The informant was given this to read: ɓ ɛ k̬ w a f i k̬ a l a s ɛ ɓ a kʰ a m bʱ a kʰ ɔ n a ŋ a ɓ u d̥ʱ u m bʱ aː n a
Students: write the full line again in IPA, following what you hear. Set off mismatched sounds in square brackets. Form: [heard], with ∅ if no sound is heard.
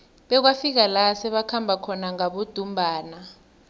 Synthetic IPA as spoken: ɓ ɛ k̬ w a f i k̬ a l a s ɛ ɓ a kʰ a m bʱ a kʰ ɔ n a ŋ a ɓ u d̥ʱ u m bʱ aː n a